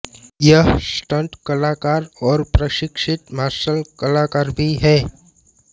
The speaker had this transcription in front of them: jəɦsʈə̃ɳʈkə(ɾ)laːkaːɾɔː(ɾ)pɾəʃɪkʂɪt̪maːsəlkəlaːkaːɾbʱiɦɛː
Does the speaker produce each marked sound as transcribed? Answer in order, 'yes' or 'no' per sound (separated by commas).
no, yes